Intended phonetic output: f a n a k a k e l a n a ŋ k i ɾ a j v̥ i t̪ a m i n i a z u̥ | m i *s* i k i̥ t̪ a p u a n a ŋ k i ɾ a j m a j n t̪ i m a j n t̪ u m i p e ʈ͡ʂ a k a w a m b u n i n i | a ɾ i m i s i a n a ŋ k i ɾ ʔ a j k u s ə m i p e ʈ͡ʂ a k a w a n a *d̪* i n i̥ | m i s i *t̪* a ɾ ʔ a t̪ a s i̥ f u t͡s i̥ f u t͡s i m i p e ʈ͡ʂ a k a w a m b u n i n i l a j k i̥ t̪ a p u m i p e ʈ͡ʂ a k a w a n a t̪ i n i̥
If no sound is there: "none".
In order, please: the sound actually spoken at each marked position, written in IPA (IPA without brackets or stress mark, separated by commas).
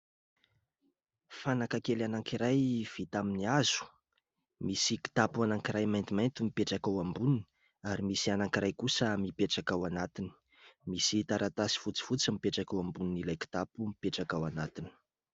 s, t̪, t̪